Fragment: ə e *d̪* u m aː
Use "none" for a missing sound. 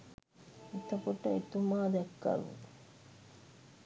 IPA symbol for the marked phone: t̪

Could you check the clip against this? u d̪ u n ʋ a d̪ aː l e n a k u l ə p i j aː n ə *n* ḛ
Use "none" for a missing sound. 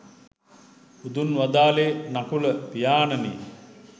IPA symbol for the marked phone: n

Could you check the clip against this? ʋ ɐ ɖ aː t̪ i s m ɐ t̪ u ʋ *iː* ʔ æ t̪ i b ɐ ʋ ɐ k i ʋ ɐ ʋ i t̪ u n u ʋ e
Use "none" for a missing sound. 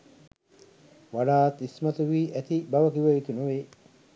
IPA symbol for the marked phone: iː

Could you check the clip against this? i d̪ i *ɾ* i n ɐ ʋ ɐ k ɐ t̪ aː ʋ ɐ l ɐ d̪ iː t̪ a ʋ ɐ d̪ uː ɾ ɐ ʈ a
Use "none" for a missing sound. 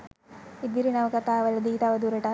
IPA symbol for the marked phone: ɾ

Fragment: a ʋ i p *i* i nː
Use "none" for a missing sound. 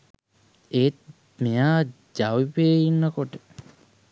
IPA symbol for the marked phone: e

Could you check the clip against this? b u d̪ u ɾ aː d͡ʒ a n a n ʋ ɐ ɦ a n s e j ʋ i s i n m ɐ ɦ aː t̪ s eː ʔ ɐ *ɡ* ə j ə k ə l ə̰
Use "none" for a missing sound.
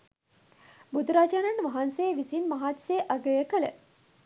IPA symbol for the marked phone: ɡ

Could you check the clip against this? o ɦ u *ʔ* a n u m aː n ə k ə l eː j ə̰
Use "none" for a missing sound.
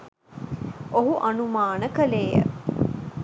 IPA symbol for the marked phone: ʔ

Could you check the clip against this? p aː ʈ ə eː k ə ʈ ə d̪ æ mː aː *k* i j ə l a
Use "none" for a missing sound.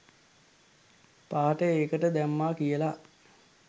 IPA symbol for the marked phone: k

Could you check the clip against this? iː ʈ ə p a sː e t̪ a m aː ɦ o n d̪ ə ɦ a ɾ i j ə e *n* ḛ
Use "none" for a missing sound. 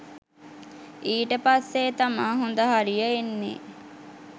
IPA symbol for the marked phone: nː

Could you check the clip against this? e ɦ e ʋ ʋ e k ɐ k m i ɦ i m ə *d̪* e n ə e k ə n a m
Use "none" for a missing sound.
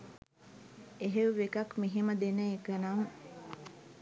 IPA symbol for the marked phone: d̪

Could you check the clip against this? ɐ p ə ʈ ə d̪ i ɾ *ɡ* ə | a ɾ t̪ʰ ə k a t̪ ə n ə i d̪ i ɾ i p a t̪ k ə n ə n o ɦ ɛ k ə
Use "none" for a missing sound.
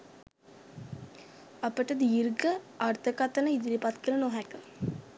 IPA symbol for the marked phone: ɡ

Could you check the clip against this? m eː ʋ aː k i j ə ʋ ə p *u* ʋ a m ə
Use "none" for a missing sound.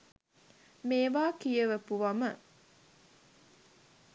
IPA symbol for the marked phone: u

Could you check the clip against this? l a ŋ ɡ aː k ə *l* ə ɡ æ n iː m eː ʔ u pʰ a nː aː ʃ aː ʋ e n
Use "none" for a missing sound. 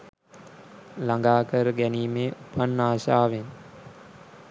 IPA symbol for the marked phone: ɾ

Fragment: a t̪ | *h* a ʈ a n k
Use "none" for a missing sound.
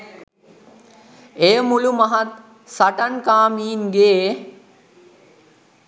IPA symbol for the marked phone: s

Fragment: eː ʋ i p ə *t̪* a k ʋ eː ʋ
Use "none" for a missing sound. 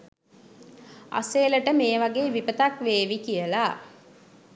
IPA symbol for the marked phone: t̪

